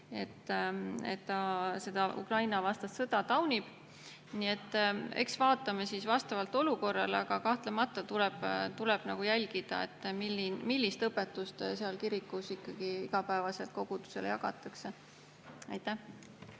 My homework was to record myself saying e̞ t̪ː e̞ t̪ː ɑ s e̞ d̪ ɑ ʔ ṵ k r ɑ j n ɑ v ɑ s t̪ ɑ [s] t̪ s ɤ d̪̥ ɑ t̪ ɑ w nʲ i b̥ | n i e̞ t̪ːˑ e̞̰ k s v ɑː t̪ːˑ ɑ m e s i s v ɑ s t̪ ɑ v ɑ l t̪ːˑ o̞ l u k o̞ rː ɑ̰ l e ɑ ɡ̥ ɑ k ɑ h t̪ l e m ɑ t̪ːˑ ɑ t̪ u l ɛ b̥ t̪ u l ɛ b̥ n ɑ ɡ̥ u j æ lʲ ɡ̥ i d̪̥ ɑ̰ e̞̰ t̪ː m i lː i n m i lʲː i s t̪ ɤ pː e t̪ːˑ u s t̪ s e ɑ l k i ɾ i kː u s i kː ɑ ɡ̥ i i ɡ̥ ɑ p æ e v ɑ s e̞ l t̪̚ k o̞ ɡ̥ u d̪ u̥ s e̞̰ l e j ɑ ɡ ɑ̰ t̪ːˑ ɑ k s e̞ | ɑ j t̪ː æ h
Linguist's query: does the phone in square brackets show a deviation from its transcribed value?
no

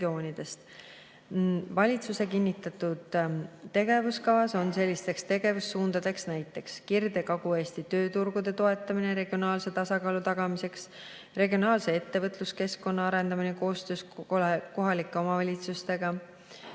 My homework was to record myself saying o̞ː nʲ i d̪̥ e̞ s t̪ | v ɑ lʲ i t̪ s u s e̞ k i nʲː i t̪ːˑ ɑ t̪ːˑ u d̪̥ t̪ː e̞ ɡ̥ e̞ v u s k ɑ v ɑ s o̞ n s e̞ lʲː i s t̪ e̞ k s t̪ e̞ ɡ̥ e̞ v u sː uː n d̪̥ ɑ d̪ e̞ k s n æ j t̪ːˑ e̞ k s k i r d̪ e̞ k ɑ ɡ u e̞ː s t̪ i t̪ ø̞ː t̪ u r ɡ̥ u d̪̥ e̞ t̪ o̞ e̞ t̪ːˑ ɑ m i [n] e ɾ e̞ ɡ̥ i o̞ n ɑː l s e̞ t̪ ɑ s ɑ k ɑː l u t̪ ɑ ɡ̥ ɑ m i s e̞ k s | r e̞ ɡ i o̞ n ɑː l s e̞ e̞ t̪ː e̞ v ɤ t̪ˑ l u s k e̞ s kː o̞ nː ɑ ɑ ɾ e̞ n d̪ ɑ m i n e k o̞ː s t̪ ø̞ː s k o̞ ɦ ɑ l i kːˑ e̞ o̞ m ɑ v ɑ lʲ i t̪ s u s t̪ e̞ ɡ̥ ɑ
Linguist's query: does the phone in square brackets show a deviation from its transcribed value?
no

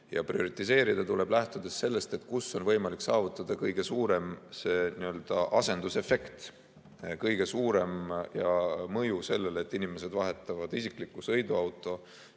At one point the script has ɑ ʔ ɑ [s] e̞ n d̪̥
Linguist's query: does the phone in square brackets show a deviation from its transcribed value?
no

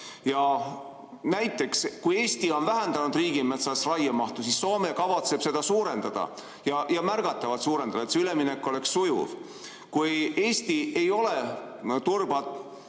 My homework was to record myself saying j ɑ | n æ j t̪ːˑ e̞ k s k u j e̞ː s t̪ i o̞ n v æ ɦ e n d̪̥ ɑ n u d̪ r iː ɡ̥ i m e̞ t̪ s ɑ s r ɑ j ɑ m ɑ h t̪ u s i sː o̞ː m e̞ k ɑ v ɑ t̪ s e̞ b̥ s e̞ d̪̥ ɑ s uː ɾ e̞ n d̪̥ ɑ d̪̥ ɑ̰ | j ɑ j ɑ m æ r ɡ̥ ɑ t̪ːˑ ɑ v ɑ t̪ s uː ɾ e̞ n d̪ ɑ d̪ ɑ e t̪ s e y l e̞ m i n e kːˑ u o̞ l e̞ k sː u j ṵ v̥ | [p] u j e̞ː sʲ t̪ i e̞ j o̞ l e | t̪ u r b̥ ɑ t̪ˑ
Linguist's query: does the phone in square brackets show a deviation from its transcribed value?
yes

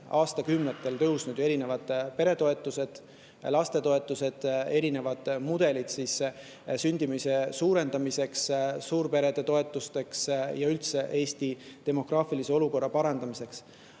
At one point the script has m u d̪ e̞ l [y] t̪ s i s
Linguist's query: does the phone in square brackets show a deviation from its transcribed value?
yes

